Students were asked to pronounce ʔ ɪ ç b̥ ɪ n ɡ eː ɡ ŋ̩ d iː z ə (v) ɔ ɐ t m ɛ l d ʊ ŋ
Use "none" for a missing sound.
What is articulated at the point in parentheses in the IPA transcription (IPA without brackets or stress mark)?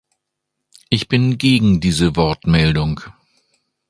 v